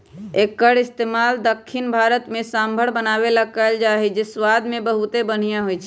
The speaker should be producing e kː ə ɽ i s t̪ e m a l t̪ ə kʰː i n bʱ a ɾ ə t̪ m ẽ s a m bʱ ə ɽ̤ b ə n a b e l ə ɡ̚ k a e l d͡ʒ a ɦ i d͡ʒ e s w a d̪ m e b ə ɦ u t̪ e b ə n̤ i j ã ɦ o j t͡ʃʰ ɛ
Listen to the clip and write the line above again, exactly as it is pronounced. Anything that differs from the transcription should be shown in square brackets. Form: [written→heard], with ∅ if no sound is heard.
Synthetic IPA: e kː ə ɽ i s t̪ e m a l [t̪→d̪] ə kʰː i n bʱ a ɾ ə t̪ m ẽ s a m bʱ ə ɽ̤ b ə n a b e l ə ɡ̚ k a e l d͡ʒ a ɦ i d͡ʒ e s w a d̪ m e b ə ɦ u t̪ e b ə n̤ i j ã ɦ o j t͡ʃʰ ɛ